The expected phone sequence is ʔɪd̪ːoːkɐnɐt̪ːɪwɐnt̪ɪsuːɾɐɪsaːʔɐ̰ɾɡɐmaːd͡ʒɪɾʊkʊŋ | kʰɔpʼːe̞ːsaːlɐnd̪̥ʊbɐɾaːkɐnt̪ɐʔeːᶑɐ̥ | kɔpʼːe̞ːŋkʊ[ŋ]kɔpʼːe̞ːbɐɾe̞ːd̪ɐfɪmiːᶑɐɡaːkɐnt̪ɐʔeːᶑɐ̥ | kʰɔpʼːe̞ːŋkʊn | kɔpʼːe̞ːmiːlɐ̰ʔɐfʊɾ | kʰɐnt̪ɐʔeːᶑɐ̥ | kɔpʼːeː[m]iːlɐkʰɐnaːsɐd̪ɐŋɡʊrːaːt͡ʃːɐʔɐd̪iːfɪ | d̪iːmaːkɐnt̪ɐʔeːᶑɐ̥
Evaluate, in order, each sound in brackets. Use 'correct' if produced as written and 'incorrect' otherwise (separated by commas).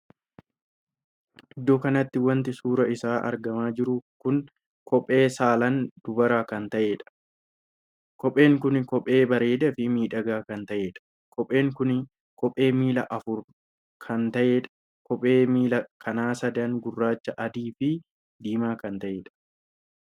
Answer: incorrect, correct